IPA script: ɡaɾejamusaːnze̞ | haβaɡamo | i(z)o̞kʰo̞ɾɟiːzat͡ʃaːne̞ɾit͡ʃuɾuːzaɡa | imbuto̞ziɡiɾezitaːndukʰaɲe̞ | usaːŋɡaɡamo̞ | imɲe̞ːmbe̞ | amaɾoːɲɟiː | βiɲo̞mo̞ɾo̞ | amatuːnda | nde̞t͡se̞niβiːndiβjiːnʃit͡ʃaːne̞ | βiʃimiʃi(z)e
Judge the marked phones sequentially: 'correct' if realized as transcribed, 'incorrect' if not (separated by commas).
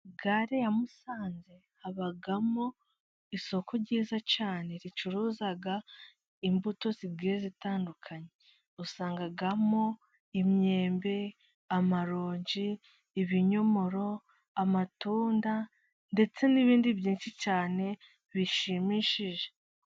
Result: incorrect, incorrect